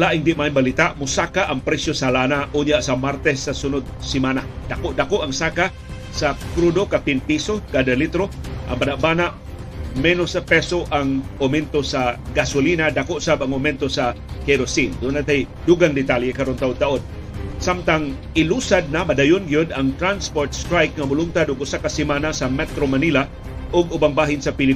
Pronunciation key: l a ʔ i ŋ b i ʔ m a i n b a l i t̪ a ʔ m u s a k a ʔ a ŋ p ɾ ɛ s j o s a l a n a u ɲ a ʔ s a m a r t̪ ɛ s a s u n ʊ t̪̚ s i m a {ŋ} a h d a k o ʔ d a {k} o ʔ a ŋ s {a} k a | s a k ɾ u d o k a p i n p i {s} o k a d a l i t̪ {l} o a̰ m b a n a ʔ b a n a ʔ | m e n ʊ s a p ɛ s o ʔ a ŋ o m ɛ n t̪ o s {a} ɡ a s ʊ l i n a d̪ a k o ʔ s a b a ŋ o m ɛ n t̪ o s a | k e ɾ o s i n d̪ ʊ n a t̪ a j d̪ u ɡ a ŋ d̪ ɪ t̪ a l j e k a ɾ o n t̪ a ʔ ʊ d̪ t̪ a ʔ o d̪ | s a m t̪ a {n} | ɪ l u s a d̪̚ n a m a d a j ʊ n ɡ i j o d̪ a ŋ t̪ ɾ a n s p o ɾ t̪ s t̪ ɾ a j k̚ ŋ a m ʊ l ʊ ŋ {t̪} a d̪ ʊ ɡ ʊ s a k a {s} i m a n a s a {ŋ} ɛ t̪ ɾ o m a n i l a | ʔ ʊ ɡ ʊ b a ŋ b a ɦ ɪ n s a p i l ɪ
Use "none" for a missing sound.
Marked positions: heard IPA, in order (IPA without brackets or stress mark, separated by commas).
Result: n, k, a, s, ɾ, a, ŋ, t̪, s, m